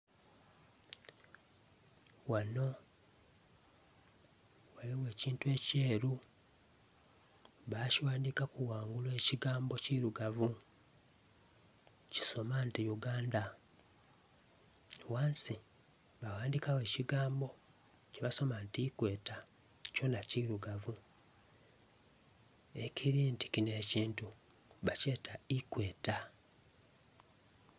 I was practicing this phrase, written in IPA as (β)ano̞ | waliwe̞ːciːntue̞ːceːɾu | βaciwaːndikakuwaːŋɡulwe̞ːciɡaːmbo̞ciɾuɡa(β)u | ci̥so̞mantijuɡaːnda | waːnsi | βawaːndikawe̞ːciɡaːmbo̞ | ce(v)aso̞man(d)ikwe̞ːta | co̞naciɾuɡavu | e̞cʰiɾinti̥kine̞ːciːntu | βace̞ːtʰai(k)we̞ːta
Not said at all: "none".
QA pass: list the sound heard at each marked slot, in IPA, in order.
w, v, β, t, k

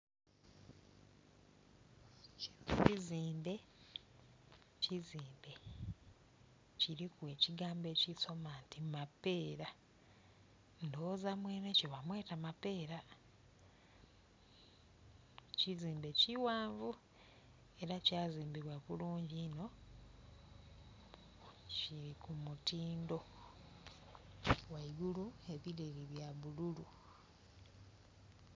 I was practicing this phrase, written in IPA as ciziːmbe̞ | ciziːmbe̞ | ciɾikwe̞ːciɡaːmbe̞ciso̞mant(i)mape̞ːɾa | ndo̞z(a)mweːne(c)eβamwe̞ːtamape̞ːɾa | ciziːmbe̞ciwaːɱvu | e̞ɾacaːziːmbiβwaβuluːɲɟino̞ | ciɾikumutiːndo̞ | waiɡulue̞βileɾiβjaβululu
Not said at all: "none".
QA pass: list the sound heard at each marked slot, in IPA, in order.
i, a, c

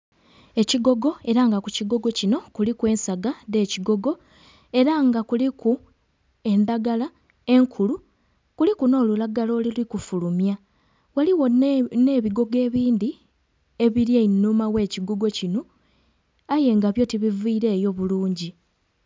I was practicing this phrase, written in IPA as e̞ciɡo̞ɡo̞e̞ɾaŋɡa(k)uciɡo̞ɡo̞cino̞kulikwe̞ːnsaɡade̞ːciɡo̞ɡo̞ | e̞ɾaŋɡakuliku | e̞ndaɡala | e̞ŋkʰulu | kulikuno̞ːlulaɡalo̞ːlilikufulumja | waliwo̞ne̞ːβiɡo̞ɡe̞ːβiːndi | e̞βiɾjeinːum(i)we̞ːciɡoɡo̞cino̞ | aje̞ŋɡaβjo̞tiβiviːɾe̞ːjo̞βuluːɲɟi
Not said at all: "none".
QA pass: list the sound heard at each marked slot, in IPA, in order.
k, a

